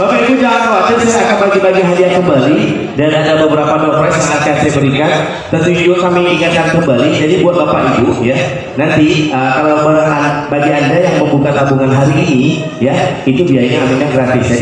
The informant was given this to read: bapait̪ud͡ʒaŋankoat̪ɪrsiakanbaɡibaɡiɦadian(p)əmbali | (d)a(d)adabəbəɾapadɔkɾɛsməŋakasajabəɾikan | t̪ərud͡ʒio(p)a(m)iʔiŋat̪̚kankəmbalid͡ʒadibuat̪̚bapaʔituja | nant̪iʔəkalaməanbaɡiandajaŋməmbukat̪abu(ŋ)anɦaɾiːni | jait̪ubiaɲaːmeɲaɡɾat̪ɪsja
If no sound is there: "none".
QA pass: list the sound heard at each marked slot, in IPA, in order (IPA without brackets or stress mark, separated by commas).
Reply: k, d, n, k, m, ŋ